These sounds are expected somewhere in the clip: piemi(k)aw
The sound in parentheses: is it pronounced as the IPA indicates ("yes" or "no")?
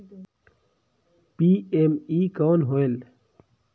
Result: yes